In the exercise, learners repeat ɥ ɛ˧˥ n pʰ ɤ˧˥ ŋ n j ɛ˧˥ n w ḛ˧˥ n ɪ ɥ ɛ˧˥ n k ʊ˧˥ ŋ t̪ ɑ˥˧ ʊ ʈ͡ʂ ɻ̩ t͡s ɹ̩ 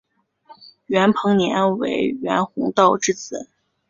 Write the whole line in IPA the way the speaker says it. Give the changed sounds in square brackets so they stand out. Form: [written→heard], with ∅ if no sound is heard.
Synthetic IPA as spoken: ɥ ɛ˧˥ n pʰ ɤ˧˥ ŋ n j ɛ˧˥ n w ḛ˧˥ [n→∅] ɪ ɥ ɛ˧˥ n [k→x] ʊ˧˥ ŋ t̪ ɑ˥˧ ʊ ʈ͡ʂ ɻ̩ t͡s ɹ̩